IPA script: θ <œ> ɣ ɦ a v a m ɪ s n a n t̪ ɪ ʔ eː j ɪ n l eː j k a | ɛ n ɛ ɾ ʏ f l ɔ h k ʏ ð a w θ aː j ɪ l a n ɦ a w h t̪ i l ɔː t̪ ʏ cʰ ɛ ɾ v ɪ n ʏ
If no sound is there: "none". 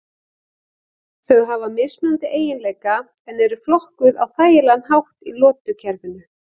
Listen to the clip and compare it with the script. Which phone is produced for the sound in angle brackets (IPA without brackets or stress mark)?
œ